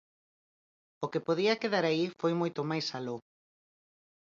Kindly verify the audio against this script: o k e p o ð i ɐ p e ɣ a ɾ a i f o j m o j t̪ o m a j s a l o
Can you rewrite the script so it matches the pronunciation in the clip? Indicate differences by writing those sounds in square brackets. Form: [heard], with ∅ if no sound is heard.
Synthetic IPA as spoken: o k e p o ð i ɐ [k] e [ð] a ɾ a i f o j m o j t̪ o m a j s a l o